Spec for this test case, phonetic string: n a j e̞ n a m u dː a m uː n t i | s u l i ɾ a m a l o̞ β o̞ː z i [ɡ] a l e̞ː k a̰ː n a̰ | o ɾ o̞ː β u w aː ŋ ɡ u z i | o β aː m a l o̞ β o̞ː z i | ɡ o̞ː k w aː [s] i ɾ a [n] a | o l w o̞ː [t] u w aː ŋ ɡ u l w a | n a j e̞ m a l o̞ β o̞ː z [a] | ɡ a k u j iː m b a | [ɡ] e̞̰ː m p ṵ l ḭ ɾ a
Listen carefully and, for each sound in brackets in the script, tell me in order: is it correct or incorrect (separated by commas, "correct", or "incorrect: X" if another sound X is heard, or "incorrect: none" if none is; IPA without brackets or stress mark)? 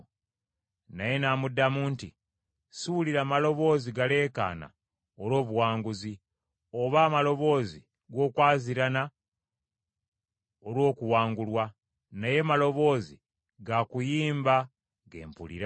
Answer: correct, incorrect: z, correct, incorrect: k, incorrect: i, correct